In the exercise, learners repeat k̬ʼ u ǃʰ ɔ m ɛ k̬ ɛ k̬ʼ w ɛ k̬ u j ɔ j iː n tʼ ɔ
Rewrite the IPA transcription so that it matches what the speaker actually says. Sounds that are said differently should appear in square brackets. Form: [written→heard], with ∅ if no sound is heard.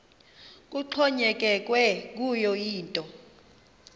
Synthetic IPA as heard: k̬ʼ u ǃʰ ɔ [m→ɲ] ɛ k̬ ɛ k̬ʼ w ɛ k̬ u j ɔ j iː n tʼ ɔ